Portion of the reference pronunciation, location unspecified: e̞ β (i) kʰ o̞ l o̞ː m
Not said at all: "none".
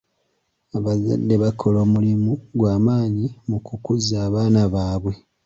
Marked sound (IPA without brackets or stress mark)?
a